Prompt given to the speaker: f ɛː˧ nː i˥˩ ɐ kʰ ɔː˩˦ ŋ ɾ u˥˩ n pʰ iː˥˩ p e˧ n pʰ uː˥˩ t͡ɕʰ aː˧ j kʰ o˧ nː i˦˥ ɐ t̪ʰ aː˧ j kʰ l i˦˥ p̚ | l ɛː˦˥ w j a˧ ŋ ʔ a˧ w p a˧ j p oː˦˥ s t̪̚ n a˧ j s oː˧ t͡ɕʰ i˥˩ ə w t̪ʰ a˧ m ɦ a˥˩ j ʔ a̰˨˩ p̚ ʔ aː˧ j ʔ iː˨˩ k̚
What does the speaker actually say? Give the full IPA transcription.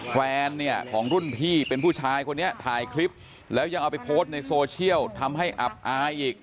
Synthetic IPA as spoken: f ɛː˧ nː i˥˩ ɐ kʰ ɔː˩˦ ŋ ɾ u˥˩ n pʰ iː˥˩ p e˧ n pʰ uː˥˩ t͡ɕʰ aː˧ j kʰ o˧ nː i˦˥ ɐ t̪ʰ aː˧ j kʰ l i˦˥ p̚ | l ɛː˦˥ w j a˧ ŋ ʔ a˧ w p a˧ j pʰ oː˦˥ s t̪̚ n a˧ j s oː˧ t͡ɕʰ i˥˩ ə w t̪ʰ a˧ m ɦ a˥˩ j ʔ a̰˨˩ p̚ ʔ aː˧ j ʔ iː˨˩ k̚

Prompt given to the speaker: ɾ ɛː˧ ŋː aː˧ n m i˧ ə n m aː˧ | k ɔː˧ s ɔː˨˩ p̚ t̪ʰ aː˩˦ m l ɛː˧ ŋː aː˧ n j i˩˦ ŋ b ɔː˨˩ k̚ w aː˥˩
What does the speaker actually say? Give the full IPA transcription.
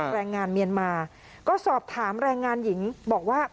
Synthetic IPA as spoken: ɾ ɛː˧ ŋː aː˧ n m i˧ ə n m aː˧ | k ɔː˥˩ s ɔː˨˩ p̚ t̪ʰ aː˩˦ m ɾ ɛː˧ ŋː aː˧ n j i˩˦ ŋ b ɔː˨˩ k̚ w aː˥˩

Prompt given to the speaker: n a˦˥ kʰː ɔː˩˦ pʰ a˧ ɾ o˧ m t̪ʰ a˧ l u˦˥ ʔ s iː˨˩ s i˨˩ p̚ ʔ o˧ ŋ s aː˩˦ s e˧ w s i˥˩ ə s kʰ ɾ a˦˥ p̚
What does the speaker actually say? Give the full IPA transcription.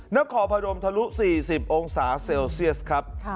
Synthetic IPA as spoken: n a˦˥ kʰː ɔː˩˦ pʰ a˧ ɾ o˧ m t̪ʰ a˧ l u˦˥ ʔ s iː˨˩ s i˨˩ p̚ ʔ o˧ ŋ s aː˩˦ s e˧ w s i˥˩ ə s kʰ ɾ a˦˥ p̚

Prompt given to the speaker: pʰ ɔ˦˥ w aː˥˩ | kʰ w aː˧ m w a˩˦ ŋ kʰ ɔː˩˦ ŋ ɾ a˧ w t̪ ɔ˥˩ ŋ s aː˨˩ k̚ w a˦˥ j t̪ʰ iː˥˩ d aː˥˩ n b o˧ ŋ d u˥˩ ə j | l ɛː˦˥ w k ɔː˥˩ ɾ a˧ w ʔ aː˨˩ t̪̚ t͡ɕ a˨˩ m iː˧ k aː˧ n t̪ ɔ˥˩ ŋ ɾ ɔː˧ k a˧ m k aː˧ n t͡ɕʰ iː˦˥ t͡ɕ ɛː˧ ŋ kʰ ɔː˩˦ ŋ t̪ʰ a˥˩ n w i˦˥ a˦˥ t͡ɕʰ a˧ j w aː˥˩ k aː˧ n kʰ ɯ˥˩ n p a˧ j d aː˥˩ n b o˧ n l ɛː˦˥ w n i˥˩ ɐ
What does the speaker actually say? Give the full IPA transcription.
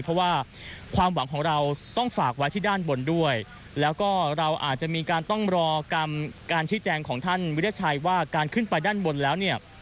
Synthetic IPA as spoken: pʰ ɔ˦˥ w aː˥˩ | kʰ w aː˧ m w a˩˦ ŋ kʰ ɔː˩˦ ŋ ɾ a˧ w t̪ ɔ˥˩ ŋ f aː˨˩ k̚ w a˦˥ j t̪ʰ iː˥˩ d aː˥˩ n b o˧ n d u˥˩ ə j | l ɛː˦˥ w k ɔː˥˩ ɾ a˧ w ʔ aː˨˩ t̪̚ t͡ɕ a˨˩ m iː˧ k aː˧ n t̪ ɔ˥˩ ŋ ɾ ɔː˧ k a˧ m k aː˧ n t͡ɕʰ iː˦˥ t͡ɕ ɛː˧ ŋ kʰ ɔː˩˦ ŋ t̪ʰ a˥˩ n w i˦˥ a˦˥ t͡ɕʰ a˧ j w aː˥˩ k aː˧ n kʰ ɯ˥˩ n p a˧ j d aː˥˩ n b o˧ n l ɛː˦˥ w n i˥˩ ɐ

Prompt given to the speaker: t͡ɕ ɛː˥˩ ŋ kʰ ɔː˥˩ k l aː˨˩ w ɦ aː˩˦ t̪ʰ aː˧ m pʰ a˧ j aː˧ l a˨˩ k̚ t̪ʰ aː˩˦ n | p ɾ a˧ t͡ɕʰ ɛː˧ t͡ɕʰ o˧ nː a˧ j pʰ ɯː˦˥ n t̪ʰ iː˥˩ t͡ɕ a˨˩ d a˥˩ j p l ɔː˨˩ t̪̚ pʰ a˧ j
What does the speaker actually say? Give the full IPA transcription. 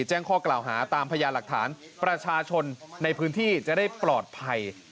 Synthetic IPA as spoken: t͡ɕ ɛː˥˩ ŋ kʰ ɔː˥˩ k l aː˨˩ w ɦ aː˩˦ t̪ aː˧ m pʰ a˧ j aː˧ l a˨˩ k̚ t̪ʰ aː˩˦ n | p ɾ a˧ t͡ɕʰ aː˧ t͡ɕʰ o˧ nː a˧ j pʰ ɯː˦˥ n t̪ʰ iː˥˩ t͡ɕ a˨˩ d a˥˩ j p l ɔː˨˩ t̪̚ pʰ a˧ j

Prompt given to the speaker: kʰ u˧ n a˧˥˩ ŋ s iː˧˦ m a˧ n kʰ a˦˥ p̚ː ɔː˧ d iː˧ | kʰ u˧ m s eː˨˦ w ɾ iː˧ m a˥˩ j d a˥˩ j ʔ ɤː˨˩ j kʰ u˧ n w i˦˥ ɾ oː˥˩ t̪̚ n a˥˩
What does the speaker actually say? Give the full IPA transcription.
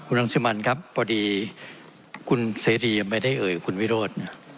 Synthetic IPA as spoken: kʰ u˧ n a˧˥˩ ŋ s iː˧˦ m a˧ n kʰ a˦˥ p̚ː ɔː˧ d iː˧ | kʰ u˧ n s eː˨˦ ɾ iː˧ m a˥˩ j d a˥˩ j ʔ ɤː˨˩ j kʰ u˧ n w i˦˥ ɾ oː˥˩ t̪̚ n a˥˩

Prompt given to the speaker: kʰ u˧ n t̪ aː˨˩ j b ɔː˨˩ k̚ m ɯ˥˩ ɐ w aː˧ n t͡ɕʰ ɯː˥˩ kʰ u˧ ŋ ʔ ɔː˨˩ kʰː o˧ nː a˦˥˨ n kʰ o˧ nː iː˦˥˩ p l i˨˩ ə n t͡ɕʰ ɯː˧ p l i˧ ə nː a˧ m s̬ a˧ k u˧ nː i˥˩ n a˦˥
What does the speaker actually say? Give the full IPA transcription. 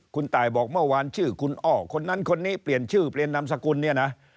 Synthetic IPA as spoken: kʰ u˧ n t̪ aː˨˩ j b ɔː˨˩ k̚ m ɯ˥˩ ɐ w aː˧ n t͡ɕʰ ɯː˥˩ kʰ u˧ n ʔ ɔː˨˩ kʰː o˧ nː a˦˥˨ n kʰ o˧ nː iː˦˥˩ p l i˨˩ ə n t͡ɕʰ ɯː˥˩ p l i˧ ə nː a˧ m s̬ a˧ k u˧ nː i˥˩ n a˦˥

